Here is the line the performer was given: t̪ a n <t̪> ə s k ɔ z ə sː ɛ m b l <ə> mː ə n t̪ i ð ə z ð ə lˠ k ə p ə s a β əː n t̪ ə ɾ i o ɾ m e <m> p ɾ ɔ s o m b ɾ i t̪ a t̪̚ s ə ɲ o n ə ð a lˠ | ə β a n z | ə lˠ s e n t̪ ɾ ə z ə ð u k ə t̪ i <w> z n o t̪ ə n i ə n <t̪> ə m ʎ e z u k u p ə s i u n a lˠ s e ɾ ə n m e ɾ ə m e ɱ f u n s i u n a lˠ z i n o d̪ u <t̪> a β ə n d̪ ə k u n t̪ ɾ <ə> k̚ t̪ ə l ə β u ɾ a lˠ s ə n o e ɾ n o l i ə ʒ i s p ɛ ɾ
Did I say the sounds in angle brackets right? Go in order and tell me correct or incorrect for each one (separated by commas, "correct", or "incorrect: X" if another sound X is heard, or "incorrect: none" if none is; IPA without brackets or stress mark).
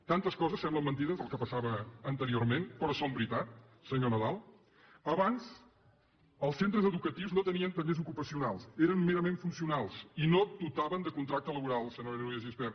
correct, correct, incorrect: n, correct, correct, correct, incorrect: a